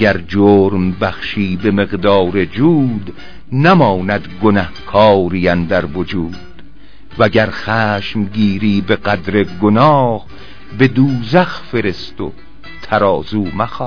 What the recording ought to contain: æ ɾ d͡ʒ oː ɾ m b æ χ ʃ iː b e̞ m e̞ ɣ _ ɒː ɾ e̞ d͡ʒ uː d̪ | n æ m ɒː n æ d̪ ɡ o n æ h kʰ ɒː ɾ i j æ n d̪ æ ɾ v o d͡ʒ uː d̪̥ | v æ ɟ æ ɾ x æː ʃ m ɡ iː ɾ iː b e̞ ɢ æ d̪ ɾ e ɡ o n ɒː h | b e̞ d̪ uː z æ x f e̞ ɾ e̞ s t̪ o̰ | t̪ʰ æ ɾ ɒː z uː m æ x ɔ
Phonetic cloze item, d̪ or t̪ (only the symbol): d̪